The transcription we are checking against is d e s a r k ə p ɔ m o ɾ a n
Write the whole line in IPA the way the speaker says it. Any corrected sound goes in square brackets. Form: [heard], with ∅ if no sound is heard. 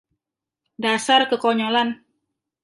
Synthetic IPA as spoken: d [a] s a r k ə [k] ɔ [ɲ] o [l] a n